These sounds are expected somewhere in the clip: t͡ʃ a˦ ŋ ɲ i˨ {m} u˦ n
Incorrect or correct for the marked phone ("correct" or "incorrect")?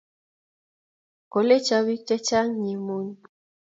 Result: correct